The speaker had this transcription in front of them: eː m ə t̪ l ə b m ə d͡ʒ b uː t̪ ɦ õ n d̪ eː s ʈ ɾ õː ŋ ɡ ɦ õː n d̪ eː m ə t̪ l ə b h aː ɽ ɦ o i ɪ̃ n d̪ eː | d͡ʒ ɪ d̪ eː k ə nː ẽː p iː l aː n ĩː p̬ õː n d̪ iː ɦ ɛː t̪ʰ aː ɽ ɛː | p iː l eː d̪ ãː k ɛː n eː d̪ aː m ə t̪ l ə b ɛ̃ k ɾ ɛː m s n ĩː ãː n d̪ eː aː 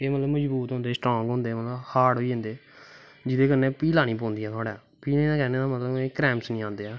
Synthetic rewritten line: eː m ə t̪ l ə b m ə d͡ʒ b uː t̪ ɦ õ n d̪ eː s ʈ ɾ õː ŋ ɡ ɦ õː n d̪ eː m ə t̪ l ə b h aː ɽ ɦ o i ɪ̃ n d̪ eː | d͡ʒ ɪ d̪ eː k ə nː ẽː p iː l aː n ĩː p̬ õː n d̪ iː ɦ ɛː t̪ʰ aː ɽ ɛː | p iː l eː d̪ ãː k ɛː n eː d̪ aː m ə t̪ l ə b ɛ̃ k ɾ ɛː m s n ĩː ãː n d̪ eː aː

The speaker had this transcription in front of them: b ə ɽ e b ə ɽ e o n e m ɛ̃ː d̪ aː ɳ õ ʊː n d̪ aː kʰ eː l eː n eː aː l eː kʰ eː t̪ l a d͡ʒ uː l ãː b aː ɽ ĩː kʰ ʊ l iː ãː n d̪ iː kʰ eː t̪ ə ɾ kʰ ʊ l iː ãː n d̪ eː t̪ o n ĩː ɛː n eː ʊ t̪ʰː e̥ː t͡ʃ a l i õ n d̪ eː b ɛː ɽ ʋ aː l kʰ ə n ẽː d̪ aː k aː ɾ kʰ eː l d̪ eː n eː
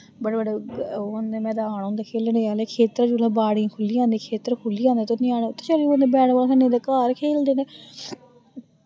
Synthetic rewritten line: b ə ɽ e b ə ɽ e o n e m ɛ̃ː d̪ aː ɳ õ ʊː n d̪ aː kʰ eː l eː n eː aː l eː kʰ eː t̪ ɾ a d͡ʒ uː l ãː b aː ɽ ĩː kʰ ʊ l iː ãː n d̪ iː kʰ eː t̪ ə ɾ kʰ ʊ l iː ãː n d̪ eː t̪ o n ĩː aː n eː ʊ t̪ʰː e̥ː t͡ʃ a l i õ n d̪ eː b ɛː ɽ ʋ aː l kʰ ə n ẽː d̪ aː k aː ɾ kʰ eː l d̪ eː n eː

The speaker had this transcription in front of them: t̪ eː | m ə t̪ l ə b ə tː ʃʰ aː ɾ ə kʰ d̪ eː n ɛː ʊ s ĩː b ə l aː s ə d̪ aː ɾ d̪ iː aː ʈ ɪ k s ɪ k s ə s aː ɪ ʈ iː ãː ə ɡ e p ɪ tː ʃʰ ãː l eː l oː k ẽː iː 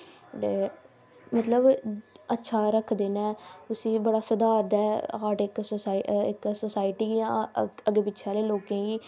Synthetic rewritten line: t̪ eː | m ə t̪ l ə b ə tː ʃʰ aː ɾ ə kʰ d̪ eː n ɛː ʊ s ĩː b ə ɽ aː s ə d̪ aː ɾ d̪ ɛː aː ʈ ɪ k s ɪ k s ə s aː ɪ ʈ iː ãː ə ɡ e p ɪ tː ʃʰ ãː l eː l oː k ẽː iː

